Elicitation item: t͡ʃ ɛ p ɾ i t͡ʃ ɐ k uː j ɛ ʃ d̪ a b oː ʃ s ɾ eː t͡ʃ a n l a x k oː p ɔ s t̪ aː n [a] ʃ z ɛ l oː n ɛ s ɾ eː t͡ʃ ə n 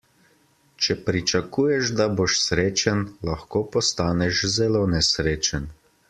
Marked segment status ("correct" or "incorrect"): incorrect